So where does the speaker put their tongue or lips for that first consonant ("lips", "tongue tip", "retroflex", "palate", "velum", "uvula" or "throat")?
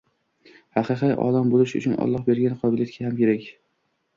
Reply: throat